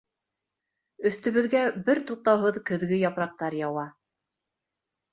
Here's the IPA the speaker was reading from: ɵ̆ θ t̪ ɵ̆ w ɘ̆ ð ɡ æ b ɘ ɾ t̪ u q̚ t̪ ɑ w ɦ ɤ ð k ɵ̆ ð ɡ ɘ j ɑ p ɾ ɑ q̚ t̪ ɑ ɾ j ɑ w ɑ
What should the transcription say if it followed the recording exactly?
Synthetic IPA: ɵ̆ θ t̪ ɵ̆ β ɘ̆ ð ɡ æ b ɘ ɾ t̪ u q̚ t̪ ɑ w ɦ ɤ ð k ɵ̆ ð ɡ ɘ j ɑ p ɾ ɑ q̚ t̪ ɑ ɾ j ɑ w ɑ